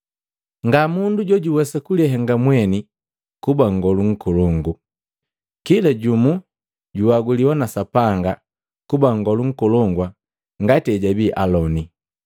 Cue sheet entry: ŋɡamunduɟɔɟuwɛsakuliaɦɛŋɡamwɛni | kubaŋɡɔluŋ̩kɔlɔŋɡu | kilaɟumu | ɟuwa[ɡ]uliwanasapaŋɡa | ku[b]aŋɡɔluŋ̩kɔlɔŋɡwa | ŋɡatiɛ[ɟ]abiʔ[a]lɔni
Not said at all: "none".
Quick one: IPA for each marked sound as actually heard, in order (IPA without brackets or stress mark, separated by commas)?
ɡ, b, ɟ, a